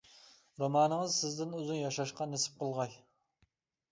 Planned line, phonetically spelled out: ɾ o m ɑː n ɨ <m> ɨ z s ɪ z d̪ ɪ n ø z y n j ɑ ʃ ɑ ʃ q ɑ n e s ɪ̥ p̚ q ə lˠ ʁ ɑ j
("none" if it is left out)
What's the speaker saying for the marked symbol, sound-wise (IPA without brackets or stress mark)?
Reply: ŋ